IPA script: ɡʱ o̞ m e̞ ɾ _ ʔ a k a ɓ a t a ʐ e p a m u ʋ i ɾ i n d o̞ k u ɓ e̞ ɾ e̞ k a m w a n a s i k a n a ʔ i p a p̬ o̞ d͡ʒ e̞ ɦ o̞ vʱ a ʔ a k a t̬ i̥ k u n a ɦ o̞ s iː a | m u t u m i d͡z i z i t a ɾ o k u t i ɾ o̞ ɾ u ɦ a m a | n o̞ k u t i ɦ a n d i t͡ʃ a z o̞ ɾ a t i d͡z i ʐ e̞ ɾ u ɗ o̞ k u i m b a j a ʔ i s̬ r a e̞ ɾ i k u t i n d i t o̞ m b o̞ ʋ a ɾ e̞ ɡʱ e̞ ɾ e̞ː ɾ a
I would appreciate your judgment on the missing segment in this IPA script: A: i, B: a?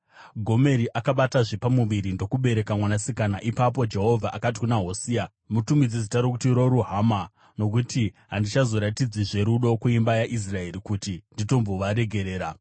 A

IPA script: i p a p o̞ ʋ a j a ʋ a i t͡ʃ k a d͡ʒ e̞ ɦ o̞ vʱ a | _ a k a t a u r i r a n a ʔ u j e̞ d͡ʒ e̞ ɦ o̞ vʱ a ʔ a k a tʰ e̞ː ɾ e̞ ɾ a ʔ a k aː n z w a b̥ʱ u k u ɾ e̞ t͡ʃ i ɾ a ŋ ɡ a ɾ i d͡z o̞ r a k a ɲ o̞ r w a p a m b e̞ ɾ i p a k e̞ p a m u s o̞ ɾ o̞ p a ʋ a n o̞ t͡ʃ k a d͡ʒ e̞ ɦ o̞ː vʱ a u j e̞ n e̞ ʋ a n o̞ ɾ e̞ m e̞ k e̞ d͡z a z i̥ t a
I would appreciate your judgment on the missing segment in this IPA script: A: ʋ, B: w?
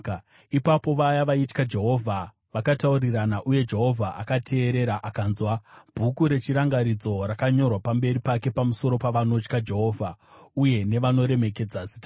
A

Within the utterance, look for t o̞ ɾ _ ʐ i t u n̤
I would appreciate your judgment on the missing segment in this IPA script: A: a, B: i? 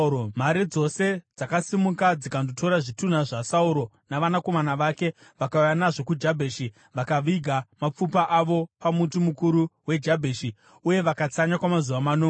A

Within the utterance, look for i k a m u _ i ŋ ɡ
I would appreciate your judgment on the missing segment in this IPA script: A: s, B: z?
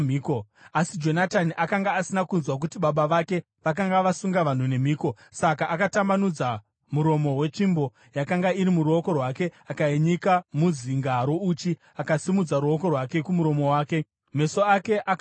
B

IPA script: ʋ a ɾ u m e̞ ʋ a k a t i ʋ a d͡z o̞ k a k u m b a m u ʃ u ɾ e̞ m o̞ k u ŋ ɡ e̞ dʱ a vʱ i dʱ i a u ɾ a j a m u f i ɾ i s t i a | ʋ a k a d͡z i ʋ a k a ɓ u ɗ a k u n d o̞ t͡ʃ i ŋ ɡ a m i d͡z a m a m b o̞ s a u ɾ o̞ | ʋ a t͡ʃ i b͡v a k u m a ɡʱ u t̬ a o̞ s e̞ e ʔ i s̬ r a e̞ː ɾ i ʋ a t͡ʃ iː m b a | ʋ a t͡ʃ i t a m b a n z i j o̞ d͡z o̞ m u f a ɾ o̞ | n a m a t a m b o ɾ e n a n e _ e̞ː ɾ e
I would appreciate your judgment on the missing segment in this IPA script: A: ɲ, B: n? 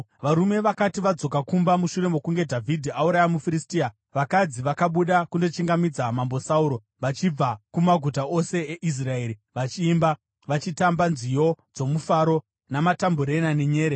A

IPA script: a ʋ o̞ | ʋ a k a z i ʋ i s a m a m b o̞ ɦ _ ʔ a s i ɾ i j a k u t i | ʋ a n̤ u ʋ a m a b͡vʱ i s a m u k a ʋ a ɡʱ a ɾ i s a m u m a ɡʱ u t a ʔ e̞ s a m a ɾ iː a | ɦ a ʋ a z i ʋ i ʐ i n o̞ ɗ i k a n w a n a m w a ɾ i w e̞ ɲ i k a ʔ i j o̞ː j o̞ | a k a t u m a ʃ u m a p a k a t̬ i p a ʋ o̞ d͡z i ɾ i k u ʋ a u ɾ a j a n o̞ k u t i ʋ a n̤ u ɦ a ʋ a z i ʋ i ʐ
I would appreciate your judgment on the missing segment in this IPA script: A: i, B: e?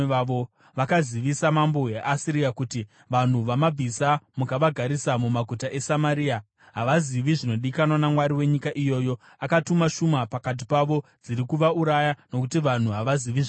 B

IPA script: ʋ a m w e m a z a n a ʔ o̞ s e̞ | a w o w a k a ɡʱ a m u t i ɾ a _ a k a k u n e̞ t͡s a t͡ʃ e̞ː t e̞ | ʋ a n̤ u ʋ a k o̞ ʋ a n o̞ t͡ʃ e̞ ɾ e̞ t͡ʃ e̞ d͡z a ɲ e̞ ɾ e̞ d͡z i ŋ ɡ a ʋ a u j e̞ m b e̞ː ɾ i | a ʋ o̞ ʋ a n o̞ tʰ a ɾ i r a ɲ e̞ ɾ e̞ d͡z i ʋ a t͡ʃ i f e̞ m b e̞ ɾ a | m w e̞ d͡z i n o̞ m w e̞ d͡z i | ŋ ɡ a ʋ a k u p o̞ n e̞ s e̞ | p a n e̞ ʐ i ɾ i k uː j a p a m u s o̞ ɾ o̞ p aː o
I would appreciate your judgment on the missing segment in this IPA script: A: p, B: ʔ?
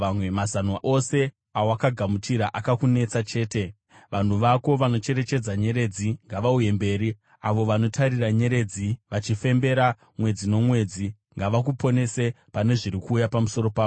B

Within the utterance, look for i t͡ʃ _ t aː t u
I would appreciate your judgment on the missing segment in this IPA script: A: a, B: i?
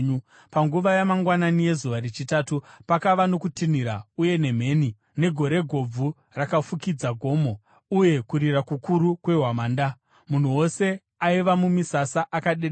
B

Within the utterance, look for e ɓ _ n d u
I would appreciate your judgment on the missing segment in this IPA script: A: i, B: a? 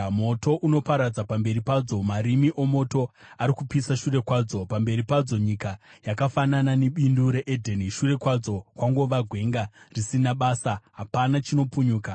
A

